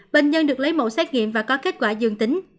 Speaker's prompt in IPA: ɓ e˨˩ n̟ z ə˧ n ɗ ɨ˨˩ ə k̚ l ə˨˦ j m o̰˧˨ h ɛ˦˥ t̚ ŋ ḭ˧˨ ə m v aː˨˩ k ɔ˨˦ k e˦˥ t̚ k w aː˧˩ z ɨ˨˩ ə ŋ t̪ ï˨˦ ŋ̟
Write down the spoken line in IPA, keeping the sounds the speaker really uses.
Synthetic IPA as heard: ɓ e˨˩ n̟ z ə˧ n ɗ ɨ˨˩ ə k̚ l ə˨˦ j m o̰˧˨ s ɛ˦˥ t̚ ŋ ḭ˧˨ ə m v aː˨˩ k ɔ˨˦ k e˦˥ t̚ k w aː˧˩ z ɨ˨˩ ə ŋ t̪ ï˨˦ ŋ̟